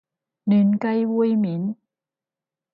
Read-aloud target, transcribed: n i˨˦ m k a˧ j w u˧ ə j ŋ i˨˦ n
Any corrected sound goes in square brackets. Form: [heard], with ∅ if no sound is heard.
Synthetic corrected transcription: n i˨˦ [n] k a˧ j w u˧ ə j [m] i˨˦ n